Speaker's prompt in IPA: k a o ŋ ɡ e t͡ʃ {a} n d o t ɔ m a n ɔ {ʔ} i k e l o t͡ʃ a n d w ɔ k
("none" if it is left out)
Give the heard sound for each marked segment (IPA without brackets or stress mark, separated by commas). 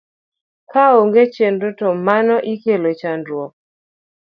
e, ʔ